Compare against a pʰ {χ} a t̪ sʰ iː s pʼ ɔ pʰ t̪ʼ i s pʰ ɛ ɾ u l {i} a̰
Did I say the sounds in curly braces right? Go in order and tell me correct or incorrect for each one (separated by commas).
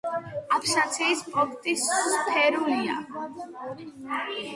incorrect, correct